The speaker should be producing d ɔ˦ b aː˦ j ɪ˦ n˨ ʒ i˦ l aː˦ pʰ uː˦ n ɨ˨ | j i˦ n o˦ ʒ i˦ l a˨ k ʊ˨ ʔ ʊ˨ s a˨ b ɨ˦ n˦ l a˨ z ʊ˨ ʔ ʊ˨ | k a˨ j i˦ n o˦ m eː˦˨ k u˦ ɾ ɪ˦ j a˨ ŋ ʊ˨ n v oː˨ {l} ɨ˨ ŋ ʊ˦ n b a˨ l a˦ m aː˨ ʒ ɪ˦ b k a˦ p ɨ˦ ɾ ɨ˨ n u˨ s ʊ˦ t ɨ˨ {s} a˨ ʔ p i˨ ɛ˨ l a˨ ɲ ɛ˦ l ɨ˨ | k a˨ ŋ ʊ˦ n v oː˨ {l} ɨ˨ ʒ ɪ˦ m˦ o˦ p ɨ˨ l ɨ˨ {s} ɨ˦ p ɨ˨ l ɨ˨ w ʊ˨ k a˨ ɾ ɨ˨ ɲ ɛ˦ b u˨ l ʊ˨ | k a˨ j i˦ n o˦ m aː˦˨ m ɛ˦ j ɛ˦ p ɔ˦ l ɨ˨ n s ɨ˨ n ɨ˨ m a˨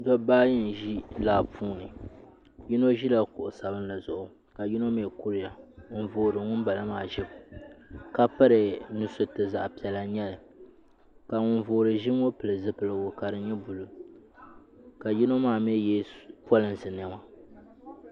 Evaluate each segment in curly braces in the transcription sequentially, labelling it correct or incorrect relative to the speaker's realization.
incorrect: ɾ, incorrect: z, incorrect: ɾ, incorrect: z

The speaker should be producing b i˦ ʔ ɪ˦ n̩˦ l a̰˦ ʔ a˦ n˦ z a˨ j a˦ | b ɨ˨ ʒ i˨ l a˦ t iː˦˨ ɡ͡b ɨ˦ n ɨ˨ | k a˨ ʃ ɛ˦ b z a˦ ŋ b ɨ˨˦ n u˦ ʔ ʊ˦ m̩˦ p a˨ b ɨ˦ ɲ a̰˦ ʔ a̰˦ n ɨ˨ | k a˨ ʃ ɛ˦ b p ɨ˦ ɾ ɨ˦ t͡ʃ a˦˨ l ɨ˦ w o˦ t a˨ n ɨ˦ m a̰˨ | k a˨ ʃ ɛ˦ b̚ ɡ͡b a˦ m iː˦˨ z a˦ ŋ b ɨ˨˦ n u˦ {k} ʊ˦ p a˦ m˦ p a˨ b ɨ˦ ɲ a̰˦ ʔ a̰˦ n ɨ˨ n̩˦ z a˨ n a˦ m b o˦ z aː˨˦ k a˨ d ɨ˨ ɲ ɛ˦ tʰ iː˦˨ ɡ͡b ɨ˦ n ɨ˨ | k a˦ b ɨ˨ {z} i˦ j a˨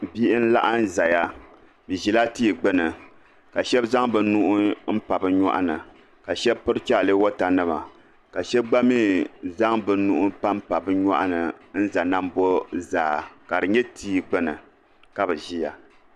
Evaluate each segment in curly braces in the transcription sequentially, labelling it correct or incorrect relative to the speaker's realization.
incorrect: ʔ, incorrect: ʒ

